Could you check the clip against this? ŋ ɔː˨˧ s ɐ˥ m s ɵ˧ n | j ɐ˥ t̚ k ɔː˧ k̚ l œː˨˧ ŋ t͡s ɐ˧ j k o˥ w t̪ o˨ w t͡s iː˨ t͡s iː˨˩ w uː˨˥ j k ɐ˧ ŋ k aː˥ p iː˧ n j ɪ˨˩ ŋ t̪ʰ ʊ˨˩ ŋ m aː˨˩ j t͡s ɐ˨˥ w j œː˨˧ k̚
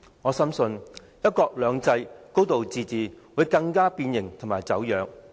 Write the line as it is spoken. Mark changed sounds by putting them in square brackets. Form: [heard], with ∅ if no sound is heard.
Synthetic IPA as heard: ŋ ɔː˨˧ s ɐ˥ m s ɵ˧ n | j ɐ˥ t̚ k ɔː˧ k̚ l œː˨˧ ŋ t͡s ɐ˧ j k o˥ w t̪ o˨ w t͡s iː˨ t͡s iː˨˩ w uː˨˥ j k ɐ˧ ŋ k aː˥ p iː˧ n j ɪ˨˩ ŋ t̪ʰ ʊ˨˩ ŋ m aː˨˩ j t͡s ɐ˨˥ w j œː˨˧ k̚